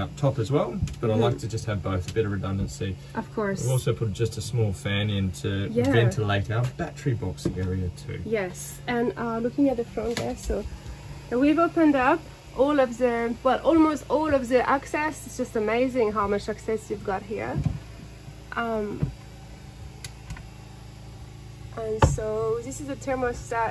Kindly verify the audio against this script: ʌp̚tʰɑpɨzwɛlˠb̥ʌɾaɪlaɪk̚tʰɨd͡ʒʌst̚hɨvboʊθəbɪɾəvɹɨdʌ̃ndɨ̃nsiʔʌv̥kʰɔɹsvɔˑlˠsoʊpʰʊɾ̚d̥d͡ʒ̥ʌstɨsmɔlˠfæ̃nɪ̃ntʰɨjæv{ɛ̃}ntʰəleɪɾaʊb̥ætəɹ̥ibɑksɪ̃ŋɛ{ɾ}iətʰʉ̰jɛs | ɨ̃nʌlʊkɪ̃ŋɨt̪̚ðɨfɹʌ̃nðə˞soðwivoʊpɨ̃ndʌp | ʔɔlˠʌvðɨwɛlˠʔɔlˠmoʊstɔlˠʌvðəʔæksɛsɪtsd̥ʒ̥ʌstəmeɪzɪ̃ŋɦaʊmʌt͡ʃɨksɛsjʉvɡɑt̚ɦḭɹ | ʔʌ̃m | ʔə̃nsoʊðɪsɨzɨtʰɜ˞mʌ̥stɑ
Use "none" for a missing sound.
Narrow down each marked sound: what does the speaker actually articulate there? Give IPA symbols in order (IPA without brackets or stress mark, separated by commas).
ɛ̃, ɹ